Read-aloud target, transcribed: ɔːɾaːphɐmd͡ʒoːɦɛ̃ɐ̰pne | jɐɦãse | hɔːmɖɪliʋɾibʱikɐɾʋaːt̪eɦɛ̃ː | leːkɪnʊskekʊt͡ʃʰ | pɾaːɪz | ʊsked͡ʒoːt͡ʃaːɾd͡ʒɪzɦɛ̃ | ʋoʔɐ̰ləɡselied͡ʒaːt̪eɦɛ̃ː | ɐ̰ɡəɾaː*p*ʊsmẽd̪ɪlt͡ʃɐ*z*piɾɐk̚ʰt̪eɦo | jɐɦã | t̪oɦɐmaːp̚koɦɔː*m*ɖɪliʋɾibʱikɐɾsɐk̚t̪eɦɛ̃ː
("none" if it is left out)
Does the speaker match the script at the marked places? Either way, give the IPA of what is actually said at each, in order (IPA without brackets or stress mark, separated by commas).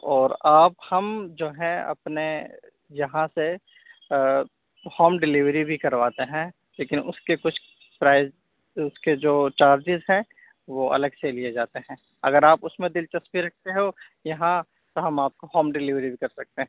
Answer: p, s, m